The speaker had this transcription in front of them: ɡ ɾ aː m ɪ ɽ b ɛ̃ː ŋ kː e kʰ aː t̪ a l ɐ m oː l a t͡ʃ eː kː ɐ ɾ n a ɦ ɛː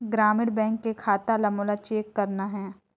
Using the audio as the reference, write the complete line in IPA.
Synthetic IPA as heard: ɡ ɾ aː m ɪ ɽ b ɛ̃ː ŋ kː e kʰ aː t̪ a l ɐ m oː l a t͡ʃ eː kː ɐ ɾ n a ɦ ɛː